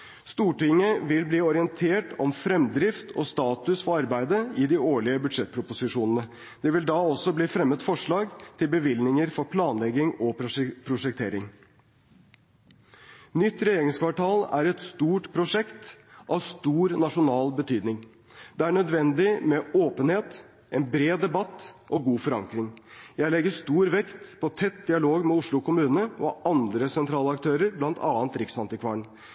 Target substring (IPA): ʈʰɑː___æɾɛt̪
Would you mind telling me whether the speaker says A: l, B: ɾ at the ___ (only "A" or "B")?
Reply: A